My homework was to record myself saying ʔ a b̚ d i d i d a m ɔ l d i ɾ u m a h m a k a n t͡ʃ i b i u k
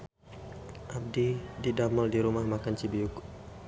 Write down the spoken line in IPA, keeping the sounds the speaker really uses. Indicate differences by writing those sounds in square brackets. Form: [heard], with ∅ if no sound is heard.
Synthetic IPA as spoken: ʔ a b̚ d i d i d a m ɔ l d i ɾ u m a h m a k a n t͡ʃ i b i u k